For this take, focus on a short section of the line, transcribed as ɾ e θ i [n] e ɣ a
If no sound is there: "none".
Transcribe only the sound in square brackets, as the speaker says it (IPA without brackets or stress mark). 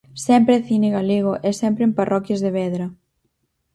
n